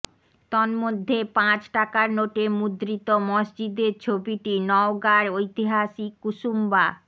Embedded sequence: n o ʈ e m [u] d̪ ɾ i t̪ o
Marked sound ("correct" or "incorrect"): correct